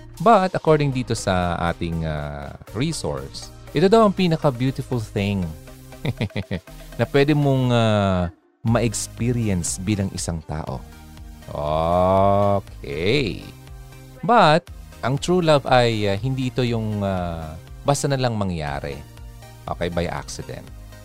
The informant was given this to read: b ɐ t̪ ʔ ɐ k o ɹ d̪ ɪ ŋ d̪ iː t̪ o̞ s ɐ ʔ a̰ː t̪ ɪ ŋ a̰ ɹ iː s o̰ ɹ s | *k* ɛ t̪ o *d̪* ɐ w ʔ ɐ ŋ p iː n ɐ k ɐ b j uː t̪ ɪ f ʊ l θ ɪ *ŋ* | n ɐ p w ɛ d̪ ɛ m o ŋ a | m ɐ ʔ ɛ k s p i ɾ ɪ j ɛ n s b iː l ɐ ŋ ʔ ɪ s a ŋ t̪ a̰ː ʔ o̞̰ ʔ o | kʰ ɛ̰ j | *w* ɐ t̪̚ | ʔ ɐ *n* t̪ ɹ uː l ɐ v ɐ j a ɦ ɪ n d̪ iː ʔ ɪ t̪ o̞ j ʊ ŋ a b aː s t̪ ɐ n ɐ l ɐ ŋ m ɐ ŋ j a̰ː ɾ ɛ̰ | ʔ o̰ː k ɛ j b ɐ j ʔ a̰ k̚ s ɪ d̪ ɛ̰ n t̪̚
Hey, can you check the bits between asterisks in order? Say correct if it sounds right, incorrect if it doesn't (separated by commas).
incorrect, correct, correct, incorrect, incorrect